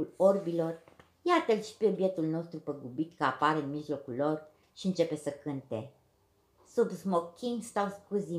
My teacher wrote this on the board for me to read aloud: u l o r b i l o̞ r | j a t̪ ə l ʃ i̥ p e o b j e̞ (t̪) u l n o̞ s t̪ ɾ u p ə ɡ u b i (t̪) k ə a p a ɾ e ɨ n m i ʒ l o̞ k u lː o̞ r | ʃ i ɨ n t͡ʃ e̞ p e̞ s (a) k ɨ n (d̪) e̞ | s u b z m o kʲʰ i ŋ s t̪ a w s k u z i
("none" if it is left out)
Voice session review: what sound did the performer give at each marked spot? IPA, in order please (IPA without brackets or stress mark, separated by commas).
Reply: t̪, t̪, ə, t̪